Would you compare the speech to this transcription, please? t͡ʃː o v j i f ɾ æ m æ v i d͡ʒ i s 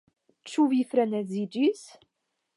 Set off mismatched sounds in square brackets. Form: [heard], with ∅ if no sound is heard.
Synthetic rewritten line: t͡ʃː [u] v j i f ɾ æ [n] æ [z] i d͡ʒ i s